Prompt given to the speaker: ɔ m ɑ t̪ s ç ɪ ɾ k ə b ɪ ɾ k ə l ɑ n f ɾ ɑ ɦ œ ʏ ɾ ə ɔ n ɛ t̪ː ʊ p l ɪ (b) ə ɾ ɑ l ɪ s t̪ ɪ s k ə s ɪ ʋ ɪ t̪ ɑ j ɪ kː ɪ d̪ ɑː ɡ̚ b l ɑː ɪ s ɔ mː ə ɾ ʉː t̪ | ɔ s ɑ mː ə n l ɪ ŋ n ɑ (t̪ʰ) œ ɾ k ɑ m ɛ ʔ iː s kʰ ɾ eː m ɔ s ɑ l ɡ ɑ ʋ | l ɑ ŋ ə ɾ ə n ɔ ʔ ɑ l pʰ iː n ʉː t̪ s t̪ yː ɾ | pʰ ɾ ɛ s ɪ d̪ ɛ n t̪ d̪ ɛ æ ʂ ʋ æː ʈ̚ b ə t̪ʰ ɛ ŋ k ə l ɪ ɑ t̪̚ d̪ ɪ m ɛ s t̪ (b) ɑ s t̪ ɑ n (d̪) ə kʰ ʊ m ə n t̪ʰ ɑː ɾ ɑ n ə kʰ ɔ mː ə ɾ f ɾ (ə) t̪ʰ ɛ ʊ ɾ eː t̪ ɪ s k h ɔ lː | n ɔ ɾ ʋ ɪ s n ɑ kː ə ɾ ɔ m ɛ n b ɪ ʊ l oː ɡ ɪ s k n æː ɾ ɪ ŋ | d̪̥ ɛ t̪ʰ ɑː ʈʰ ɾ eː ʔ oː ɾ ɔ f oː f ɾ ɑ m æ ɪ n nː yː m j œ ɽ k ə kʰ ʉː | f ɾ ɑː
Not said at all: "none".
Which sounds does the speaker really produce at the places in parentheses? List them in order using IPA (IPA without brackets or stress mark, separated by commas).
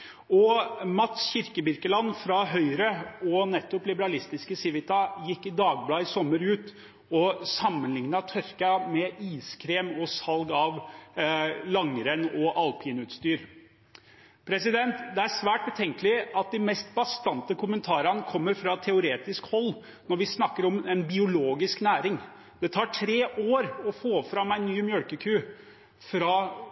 b, t̪ʰ, b, t̪, ɑ